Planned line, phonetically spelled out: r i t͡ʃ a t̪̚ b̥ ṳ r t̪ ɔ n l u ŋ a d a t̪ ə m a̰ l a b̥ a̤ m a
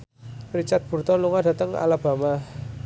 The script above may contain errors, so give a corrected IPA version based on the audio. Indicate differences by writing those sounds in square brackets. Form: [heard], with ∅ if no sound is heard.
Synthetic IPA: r i t͡ʃ a t̪̚ b̥ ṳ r t̪ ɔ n l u ŋ a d a t̪ ə [ŋ] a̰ l a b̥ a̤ m a